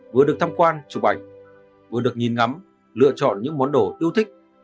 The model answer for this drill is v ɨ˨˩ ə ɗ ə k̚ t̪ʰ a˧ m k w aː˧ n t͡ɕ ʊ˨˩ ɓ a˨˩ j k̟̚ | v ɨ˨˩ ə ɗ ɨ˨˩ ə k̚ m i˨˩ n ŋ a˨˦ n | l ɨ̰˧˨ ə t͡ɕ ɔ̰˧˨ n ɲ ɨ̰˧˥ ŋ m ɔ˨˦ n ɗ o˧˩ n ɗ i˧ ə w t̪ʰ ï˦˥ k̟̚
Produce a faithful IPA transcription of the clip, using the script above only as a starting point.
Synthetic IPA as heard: v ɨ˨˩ ə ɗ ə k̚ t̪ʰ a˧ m k w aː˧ n t͡ɕ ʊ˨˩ ɓ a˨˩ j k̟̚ | v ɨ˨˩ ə ɗ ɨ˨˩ ə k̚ ɲ i˨˩ n ŋ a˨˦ m | l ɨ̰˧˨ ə t͡ɕ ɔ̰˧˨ n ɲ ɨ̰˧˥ ŋ m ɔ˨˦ n ɗ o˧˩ ɗ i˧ ə w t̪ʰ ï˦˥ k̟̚